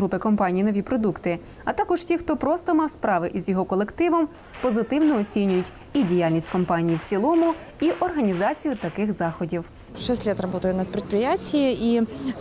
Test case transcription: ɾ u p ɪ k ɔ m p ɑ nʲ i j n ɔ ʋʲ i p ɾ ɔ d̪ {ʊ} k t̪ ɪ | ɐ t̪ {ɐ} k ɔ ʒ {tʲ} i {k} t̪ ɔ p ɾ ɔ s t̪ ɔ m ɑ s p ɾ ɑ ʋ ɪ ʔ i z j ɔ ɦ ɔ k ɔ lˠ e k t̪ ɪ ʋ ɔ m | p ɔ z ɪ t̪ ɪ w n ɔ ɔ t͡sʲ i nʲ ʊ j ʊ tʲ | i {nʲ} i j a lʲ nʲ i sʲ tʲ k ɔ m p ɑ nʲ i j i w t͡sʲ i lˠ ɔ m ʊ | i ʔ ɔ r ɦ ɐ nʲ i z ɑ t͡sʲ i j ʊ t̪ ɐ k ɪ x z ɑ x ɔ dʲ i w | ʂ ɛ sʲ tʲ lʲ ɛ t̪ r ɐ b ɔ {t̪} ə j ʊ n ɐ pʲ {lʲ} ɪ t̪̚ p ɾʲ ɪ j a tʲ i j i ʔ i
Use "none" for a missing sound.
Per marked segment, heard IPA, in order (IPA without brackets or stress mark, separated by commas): u, ɑ, tʲ, x, dʲ, t̪, ɾʲ